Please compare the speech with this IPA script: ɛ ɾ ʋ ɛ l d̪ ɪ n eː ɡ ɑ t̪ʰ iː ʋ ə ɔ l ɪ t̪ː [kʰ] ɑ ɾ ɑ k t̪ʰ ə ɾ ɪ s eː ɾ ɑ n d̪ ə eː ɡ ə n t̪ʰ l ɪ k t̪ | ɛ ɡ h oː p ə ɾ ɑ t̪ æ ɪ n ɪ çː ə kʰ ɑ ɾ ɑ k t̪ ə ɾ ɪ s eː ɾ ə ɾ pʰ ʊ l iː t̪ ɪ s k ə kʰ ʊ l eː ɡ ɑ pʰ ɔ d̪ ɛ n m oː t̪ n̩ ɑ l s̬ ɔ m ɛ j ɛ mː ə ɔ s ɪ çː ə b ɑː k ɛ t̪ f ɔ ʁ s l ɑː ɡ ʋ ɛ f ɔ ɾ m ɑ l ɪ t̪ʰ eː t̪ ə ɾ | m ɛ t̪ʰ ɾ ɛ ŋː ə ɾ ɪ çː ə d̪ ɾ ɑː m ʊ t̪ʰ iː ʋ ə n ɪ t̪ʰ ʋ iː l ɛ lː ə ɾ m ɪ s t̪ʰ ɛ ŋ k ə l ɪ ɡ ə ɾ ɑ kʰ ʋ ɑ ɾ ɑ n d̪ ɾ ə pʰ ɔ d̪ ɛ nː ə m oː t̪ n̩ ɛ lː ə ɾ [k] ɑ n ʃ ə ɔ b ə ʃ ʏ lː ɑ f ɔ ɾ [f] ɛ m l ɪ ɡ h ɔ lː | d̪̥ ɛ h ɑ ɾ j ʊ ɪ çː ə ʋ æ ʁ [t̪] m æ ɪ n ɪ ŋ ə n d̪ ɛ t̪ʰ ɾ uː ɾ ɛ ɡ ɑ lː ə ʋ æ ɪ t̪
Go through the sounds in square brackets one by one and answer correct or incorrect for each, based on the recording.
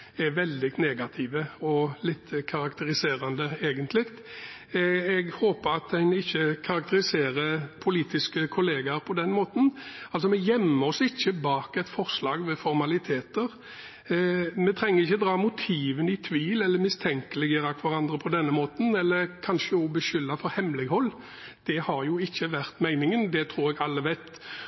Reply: correct, incorrect: kʰ, incorrect: h, correct

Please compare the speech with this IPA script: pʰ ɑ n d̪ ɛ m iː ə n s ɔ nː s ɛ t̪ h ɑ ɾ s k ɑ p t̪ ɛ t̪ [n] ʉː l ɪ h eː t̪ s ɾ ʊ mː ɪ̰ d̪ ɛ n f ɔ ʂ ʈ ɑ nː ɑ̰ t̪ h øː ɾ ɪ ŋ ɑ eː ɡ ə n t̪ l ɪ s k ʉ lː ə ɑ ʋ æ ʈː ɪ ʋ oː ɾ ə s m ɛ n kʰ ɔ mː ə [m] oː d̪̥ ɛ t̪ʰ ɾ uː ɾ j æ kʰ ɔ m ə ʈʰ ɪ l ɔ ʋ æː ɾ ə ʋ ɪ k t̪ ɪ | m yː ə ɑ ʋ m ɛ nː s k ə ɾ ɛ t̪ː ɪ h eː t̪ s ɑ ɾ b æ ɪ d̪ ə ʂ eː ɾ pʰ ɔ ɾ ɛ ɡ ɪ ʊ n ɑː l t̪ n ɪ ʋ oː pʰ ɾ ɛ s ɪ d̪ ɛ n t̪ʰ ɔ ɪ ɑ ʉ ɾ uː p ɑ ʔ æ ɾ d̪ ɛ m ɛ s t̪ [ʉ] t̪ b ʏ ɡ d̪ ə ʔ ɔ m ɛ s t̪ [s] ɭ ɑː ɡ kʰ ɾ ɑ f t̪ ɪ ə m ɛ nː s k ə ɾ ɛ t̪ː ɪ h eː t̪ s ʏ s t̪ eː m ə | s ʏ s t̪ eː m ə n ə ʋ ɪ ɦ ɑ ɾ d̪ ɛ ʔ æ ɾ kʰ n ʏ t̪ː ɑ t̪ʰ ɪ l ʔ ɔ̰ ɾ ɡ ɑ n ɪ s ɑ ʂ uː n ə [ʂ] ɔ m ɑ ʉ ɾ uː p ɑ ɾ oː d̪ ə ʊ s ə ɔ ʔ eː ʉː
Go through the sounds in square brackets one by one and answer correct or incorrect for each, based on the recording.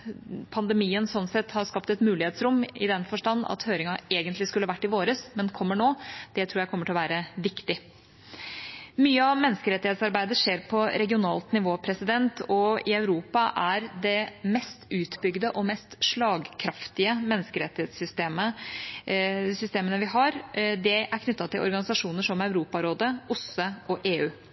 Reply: incorrect: m, incorrect: ɳ, incorrect: ʉː, incorrect: ʂ, correct

